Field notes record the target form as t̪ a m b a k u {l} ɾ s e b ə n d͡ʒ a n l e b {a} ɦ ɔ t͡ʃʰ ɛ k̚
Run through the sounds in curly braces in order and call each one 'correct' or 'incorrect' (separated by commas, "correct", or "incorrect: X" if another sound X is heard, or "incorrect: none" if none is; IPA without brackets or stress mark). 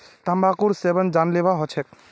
incorrect: none, correct